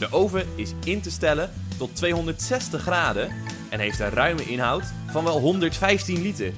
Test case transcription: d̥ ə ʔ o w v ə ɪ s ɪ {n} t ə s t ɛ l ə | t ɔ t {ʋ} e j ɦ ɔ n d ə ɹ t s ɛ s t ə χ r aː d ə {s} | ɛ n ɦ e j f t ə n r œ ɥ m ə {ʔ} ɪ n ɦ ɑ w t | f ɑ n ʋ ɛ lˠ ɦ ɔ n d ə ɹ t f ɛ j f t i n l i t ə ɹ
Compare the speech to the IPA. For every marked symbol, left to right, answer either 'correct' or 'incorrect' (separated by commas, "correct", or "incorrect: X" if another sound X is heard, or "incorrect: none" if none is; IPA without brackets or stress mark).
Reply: correct, correct, incorrect: none, correct